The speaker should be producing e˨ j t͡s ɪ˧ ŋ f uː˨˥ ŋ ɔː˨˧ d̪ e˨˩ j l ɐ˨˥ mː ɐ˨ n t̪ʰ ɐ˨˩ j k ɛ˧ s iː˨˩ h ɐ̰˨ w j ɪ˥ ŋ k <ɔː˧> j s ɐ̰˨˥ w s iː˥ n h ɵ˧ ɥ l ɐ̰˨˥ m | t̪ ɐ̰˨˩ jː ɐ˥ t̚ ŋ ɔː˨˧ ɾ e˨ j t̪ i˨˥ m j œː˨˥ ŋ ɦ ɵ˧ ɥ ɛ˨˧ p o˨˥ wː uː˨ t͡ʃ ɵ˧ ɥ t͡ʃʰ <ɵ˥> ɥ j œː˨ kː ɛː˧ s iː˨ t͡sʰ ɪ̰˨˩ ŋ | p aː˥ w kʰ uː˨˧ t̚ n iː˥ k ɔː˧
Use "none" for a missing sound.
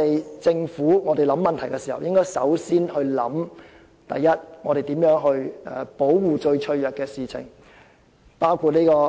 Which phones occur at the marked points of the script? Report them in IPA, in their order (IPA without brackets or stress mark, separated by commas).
ɔː˥, ɵ˧